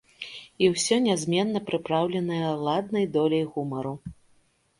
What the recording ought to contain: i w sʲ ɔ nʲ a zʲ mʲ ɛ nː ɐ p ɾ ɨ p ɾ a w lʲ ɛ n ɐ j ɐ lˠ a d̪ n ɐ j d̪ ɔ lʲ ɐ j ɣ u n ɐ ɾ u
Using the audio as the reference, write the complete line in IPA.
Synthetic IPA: i w sʲ ɔ nʲ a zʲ mʲ ɛ nː ɐ p ɾ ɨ p ɾ a w lʲ ɛ n ɐ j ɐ lˠ a d̪ n ɐ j d̪ ɔ lʲ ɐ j ɣ u m ɐ ɾ u